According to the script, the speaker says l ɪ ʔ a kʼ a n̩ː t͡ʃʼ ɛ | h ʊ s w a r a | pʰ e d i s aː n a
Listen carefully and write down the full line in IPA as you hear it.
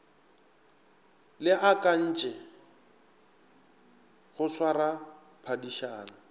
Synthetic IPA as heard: l ɪ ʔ a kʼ a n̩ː t͡ʃʼ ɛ | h ʊ s w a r a | pʰ a d i ʃ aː n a